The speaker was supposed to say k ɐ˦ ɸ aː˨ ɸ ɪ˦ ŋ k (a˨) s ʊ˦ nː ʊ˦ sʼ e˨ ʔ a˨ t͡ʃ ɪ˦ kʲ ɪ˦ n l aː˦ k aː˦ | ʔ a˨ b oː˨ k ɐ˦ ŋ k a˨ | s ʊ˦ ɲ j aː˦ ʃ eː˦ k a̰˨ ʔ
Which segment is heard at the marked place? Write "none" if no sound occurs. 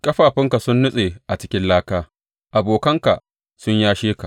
a˨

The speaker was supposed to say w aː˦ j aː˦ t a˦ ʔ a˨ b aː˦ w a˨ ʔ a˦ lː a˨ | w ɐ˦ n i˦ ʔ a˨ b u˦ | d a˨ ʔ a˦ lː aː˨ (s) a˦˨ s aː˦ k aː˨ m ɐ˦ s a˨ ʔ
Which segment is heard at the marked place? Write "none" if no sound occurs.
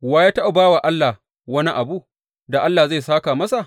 z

